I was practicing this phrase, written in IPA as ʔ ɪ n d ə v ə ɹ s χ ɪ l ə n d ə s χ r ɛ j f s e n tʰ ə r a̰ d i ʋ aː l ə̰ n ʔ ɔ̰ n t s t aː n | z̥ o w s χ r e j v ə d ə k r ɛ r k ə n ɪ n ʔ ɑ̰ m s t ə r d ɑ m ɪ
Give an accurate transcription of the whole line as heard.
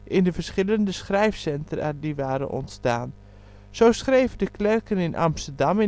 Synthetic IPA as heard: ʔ ɪ n d ə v ə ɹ s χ ɪ l ə n d ə s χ r ɛ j f s ɛ n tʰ ə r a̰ d i ʋ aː ɾ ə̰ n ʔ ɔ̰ n t s t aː n | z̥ o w s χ r e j v ə d ə k l ɛ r k ə n ɪ n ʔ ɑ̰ m s t ə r d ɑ m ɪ